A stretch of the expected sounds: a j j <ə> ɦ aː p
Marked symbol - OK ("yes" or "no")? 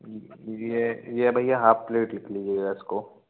no